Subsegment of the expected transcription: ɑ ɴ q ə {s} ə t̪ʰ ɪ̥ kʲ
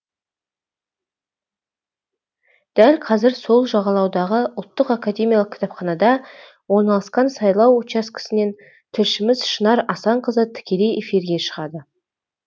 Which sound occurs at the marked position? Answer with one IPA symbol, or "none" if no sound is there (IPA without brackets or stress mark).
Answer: z